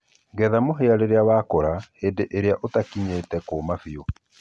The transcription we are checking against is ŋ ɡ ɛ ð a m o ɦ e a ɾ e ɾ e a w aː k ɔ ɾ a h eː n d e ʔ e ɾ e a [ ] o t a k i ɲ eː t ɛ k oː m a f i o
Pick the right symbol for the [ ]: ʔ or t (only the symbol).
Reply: ʔ